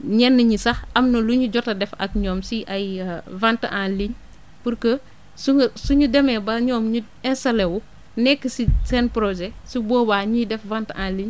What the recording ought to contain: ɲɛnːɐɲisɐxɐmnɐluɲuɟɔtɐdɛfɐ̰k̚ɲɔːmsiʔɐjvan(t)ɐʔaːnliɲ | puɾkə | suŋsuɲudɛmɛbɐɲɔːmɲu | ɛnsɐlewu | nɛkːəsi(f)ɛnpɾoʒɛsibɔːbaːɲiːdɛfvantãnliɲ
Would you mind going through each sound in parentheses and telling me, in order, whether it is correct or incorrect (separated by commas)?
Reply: correct, incorrect